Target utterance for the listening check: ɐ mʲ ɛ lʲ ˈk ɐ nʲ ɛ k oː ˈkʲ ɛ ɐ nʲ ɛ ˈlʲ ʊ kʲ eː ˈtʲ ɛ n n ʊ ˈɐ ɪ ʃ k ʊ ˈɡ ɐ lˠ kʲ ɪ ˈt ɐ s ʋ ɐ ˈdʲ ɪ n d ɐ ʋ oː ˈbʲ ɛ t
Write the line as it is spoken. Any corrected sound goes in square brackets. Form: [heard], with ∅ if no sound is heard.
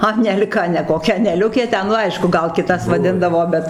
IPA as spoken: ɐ [nʲ] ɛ lʲ ˈk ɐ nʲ ɛ k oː ˈkʲ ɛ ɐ nʲ ɛ ˈlʲ ʊ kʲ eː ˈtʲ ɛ n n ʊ ˈɐ ɪ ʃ k ʊ ˈɡ ɐ lˠ kʲ ɪ ˈt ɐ s ʋ ɐ ˈdʲ ɪ n d ɐ ʋ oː ˈbʲ ɛ t